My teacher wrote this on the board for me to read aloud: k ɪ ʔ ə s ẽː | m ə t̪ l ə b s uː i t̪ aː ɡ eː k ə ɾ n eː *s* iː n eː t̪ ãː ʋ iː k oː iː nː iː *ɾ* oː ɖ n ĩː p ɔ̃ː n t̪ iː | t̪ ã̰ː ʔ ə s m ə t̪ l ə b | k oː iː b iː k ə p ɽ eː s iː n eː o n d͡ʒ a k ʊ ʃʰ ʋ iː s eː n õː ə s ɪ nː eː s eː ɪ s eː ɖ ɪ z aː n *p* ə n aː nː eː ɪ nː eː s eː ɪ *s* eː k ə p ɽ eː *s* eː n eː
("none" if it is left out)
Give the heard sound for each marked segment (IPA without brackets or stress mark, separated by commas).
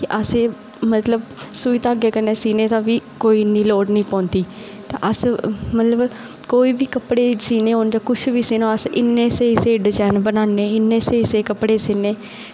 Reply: s, l, b, s, s